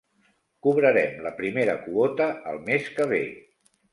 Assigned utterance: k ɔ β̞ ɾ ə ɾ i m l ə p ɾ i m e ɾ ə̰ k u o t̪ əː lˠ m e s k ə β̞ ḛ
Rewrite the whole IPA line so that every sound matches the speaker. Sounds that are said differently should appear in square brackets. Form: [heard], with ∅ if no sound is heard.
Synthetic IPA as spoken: k [u] β̞ ɾ ə ɾ [ɛ] m l ə p ɾ i m e ɾ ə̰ k u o t̪ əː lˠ m e s k ə β̞ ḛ